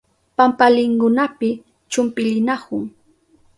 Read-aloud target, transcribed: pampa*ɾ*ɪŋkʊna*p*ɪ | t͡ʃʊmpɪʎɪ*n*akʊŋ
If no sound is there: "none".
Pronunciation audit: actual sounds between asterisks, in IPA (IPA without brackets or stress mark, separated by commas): l, p, n